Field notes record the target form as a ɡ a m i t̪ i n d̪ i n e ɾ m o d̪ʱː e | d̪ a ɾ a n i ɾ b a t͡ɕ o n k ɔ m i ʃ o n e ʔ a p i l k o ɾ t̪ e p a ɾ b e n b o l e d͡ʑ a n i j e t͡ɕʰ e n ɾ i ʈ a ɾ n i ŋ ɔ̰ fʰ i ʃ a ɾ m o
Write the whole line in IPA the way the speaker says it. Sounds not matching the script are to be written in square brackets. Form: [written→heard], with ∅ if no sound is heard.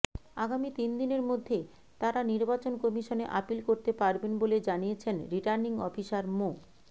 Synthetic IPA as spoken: a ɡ a m i t̪ i n d̪ i n e ɾ m o d̪ʱː e | [d̪→t̪] a ɾ a n i ɾ b a t͡ɕ o n k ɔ m i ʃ o n e ʔ a p i l k o ɾ t̪ e p a ɾ b e n b o l e d͡ʑ a n i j e t͡ɕʰ e n ɾ i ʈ a ɾ n i ŋ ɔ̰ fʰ i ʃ a ɾ m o